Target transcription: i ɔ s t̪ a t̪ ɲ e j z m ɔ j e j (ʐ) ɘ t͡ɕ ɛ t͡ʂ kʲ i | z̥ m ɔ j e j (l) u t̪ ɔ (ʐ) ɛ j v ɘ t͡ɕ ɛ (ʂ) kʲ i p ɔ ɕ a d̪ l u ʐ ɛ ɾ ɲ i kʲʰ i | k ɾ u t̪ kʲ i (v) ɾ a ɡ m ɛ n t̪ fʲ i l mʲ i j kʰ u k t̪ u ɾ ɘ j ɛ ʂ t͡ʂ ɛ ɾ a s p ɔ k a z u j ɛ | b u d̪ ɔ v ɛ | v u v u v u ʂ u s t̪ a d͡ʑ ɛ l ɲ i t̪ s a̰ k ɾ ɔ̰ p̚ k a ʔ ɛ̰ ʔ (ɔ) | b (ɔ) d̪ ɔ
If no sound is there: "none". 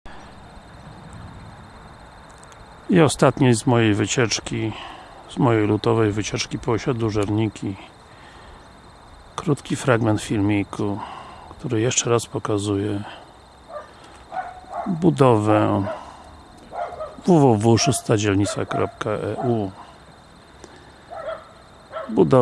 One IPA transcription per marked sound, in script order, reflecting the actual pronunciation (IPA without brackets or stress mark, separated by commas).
v, l, v, t͡ʂ, f, u, u